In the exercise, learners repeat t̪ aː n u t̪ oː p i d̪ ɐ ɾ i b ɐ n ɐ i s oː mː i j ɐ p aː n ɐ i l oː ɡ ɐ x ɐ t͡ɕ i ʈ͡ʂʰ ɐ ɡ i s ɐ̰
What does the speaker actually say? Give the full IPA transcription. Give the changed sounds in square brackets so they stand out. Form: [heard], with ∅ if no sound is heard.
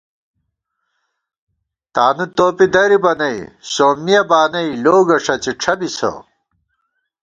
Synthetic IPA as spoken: t̪ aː n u t̪ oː p i d̪ ɐ ɾ i b ɐ n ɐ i s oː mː i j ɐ [b] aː n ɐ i l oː ɡ ɐ [ʂ] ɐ t͡ɕ i ʈ͡ʂʰ ɐ [b] i s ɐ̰